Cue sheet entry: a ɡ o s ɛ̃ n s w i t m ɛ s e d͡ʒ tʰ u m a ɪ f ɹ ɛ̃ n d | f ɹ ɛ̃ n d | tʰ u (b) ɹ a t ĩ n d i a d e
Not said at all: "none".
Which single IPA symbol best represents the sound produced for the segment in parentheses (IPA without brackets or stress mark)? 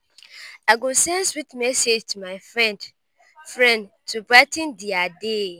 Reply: b